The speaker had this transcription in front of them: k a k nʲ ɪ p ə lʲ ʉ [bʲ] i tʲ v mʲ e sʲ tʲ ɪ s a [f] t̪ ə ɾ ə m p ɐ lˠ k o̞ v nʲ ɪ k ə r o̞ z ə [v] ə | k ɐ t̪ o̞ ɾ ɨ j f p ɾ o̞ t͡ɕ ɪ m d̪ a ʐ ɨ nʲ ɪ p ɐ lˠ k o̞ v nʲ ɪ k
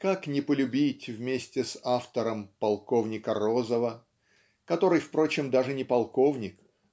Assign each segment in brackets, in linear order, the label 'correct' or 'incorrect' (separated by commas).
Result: correct, correct, correct